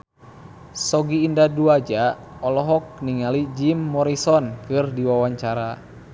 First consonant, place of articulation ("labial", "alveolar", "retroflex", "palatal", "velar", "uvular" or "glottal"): alveolar